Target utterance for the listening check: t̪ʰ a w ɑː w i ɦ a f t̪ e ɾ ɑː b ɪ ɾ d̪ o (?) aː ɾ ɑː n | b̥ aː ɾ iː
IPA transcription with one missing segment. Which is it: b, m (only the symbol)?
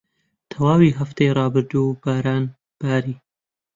b